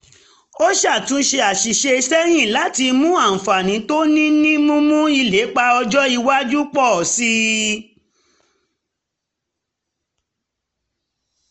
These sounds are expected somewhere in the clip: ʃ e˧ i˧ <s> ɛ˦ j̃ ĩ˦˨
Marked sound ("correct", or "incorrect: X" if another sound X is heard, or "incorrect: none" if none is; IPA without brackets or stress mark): correct